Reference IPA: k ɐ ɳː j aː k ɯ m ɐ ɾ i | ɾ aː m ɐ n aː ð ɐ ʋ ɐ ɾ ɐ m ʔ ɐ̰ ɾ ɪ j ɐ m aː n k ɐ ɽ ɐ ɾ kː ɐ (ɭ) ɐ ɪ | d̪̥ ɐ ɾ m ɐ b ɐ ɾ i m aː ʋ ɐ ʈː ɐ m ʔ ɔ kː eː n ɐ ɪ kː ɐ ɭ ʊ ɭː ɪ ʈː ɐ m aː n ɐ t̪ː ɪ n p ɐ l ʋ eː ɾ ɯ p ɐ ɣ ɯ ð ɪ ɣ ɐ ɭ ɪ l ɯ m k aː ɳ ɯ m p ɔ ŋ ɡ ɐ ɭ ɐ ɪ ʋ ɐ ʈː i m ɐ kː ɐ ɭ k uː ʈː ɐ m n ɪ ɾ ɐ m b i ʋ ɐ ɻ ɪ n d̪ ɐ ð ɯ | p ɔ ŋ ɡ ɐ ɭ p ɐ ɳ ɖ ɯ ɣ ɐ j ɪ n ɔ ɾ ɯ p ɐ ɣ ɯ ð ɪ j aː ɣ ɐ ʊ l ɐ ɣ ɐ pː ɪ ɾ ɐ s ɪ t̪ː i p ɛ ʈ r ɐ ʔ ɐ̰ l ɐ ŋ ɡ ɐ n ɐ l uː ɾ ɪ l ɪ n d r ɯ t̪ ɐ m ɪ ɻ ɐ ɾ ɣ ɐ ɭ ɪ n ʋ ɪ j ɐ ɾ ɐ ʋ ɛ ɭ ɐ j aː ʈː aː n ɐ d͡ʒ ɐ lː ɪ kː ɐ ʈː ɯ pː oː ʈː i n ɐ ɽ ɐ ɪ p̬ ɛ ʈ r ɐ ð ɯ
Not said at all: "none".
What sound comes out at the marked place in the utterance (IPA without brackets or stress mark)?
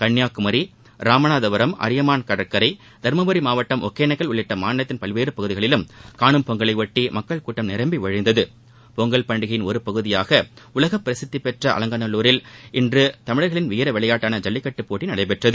ɾ